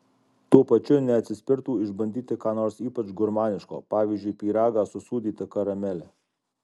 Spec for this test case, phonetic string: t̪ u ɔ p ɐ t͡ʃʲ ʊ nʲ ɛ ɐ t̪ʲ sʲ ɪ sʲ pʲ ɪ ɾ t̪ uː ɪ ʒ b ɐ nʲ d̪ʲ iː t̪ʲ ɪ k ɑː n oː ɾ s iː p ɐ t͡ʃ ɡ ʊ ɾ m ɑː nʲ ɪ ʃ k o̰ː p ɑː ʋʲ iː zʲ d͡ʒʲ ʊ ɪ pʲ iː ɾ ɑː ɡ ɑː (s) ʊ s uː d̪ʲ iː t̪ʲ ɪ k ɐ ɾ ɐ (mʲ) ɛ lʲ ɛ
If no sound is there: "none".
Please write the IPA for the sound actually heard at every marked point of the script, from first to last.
s, mʲ

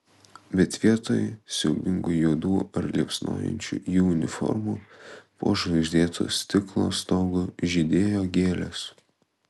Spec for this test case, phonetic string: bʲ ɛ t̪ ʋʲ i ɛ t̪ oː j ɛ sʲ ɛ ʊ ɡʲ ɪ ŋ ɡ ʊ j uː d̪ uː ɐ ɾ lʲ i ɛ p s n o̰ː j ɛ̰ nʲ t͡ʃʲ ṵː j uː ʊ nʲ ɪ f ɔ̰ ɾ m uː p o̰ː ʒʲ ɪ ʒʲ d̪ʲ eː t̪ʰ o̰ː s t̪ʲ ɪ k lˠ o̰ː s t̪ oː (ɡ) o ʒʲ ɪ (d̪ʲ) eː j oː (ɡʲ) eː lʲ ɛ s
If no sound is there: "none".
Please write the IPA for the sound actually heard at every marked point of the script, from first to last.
ɡ, d̪ʲ, ɡʲ

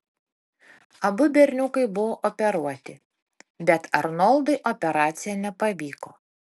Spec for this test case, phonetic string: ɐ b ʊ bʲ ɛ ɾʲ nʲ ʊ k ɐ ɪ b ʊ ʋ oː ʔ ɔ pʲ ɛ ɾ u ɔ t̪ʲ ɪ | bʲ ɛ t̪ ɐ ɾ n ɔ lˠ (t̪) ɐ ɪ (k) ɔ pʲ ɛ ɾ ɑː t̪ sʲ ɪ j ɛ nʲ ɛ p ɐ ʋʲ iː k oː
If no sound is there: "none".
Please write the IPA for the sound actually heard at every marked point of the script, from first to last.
d̪, ʔ

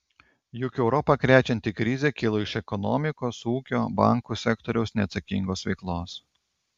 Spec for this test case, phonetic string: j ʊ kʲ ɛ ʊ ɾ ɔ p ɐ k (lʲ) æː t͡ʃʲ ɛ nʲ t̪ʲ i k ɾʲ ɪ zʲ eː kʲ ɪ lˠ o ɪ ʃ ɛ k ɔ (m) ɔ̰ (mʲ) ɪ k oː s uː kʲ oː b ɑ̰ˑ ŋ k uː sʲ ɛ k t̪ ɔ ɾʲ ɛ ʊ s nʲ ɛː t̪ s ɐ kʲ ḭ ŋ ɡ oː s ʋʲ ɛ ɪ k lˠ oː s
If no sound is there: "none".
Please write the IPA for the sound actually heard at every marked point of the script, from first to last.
ɾʲ, n, mʲ

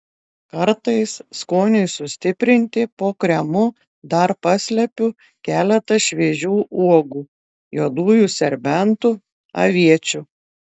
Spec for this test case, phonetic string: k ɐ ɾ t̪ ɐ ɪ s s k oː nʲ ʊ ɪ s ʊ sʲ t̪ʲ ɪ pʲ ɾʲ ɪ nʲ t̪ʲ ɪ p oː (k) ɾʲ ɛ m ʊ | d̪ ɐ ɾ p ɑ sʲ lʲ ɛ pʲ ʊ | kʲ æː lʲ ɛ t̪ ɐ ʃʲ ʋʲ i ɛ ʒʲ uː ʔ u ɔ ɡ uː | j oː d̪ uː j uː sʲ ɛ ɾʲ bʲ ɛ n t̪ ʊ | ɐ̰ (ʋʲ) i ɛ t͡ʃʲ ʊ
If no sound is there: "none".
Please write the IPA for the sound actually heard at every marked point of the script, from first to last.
k, ʋʲ

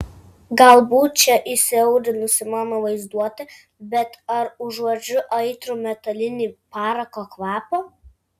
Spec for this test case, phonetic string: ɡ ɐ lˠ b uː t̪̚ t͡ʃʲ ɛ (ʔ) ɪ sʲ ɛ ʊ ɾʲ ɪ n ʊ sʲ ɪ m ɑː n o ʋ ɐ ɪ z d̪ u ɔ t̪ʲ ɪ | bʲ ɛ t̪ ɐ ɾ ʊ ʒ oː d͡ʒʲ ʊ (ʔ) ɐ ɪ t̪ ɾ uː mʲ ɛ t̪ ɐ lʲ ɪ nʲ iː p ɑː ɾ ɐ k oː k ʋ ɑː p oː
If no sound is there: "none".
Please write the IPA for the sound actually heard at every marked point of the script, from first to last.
ʔ, ʔ

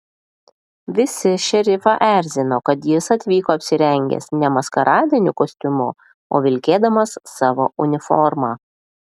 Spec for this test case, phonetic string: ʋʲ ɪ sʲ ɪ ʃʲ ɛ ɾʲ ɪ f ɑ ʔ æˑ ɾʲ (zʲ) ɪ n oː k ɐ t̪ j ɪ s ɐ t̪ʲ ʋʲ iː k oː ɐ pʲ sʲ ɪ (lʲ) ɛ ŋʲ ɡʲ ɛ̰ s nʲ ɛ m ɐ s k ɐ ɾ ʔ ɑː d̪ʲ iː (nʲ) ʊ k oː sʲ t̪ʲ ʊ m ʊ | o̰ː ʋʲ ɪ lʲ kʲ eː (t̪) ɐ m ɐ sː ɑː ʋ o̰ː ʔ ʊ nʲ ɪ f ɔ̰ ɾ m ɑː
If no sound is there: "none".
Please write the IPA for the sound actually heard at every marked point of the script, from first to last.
zʲ, ɾʲ, nʲ, d̪

